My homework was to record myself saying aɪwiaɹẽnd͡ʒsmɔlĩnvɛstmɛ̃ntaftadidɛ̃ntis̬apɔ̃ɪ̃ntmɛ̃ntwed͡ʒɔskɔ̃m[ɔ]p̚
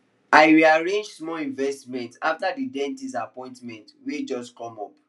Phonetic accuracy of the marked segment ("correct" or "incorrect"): correct